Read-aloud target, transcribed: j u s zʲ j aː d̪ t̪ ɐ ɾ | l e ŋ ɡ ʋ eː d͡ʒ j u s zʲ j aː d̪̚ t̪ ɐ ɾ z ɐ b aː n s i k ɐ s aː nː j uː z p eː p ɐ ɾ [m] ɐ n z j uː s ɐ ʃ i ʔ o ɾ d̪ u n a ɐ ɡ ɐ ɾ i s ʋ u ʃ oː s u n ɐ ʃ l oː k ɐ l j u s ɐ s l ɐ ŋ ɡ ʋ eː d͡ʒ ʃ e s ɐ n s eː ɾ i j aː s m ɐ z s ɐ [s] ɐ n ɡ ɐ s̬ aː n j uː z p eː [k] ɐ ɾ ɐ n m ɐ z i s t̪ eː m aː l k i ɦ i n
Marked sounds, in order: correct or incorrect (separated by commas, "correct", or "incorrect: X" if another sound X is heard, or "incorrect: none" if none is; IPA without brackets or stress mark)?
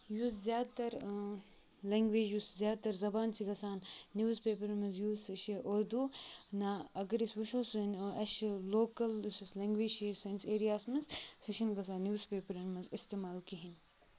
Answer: correct, incorrect: ʃ, incorrect: p